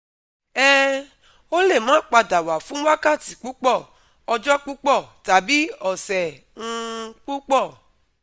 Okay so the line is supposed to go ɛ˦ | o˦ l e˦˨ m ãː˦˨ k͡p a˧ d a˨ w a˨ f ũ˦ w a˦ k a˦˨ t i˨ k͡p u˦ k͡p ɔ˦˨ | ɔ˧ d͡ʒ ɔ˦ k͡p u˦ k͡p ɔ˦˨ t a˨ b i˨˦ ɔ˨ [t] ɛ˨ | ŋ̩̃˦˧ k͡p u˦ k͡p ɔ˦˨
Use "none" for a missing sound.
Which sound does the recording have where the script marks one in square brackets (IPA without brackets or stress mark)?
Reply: s